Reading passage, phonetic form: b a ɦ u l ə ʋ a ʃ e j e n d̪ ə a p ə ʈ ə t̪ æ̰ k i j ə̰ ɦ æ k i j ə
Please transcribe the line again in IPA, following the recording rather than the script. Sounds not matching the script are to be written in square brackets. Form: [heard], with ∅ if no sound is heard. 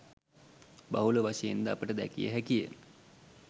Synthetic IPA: b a ɦ u l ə ʋ a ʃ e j e n d̪ ə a p ə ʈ ə [d̪] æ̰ k i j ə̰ ɦ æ k i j ə

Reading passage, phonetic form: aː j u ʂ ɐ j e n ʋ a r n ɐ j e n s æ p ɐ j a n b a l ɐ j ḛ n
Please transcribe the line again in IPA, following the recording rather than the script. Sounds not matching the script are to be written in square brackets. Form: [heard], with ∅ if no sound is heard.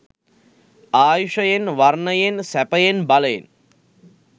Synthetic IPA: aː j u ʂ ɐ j e n ʋ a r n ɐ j e n s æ p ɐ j [e] n b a l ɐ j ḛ n

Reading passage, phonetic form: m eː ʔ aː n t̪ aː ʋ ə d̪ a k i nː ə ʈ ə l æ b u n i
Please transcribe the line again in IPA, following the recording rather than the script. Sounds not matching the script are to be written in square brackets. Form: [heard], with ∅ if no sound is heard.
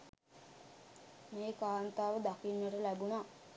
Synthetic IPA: m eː [k] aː n t̪ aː ʋ ə d̪ a k i nː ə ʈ ə l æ b u n [a]

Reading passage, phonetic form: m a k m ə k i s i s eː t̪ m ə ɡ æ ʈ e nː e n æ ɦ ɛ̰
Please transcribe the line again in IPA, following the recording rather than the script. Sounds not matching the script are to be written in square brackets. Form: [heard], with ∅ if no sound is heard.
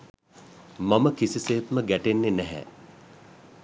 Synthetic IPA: m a [∅] m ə k i s i s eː t̪ m ə ɡ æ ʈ e nː e n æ ɦ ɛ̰

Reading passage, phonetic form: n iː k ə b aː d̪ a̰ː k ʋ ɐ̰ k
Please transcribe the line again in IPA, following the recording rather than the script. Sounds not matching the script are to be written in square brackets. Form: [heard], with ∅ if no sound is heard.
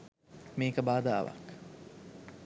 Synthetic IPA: [m] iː k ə b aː d̪ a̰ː [∅] ʋ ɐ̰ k

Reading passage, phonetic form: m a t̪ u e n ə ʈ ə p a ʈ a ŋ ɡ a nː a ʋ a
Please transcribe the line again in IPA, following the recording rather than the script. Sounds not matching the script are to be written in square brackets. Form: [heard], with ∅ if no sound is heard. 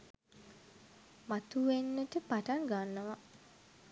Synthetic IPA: m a t̪ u e [nː] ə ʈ ə p a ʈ a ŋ ɡ a nː [ə] ʋ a

